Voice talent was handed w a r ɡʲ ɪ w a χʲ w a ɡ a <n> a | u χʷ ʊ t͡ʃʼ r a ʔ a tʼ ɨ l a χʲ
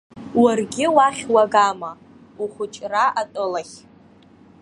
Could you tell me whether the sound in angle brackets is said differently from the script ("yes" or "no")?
yes